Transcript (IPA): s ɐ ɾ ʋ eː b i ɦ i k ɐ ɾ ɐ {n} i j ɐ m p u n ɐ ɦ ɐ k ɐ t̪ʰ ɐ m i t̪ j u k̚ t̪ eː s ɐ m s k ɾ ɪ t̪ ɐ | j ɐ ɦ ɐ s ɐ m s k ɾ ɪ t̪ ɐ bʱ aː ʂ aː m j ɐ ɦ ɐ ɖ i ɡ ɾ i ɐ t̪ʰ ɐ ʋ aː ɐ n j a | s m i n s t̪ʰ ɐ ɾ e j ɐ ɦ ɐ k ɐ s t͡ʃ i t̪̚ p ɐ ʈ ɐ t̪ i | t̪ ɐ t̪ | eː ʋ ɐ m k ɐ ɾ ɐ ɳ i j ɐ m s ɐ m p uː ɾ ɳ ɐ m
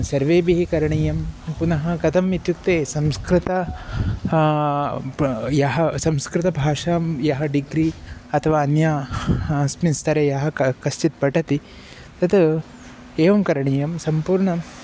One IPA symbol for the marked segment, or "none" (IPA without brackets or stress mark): ɳ